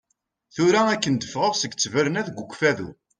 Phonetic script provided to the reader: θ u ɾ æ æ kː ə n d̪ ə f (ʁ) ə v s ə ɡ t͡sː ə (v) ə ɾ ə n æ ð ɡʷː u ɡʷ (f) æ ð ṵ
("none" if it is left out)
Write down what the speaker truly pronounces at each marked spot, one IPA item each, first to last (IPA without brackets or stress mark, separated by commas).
ʁ, v, f